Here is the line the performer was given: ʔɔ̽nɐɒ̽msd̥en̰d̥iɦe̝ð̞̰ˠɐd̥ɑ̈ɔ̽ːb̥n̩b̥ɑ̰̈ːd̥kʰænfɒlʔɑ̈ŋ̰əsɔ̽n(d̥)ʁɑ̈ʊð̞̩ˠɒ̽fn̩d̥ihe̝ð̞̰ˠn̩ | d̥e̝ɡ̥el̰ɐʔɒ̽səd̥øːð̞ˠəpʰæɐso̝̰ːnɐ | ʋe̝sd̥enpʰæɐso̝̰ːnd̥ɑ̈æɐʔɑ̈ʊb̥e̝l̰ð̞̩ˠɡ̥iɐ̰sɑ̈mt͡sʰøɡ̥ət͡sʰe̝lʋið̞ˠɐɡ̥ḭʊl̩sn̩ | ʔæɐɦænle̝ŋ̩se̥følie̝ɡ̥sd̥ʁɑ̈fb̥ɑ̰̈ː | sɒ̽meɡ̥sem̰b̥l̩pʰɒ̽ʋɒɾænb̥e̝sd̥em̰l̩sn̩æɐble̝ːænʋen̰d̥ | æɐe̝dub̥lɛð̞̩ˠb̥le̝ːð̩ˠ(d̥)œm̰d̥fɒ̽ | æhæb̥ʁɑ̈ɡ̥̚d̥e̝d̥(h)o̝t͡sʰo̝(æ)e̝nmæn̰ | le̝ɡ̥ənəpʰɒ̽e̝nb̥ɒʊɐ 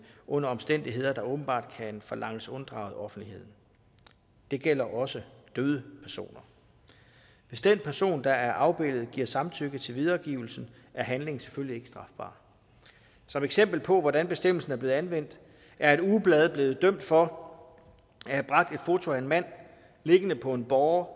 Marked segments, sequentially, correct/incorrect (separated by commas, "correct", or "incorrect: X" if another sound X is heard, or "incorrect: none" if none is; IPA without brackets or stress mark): correct, correct, incorrect: f, correct